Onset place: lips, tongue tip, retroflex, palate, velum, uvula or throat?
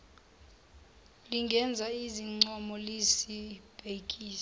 tongue tip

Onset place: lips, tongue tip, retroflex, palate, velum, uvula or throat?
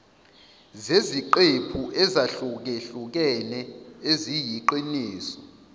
tongue tip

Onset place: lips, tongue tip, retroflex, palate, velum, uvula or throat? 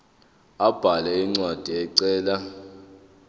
lips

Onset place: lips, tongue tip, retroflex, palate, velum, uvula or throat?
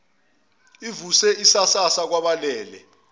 lips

